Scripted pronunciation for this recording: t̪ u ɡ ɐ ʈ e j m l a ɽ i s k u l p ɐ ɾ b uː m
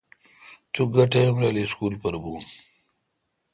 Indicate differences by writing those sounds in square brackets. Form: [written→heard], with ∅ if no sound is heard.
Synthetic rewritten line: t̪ u ɡ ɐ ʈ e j m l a [ɽ→l] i s k u l p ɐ ɾ b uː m